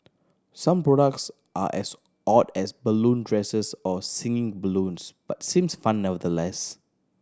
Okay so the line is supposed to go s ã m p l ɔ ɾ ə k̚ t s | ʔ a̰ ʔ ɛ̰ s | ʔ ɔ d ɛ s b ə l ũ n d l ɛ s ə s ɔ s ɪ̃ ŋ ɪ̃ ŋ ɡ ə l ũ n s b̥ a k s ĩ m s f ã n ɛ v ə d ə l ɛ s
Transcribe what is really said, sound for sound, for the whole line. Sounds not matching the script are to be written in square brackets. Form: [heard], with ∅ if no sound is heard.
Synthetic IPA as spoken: s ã m p [ɹ] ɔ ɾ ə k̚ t s | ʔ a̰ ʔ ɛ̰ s | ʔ ɔ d ɛ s b ə l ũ n d [ɹ] ɛ s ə s ɔ s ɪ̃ ŋ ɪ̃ ŋ [b] ə l ũ n s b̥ a [t] s ĩ m s f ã [nː] ɛ v ə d ə l ɛ s